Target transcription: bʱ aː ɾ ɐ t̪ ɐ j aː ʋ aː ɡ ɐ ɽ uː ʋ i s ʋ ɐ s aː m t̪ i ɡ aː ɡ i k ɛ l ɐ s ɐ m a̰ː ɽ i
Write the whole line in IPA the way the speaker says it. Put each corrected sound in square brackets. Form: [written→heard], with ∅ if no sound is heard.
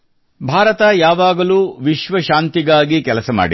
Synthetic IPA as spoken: bʱ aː ɾ ɐ t̪ ɐ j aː ʋ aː ɡ ɐ [ɽ→l] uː ʋ i [s→ʃ] ʋ ɐ [s→ʃ] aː [m→n] t̪ i ɡ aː ɡ i k ɛ l ɐ s ɐ m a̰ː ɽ i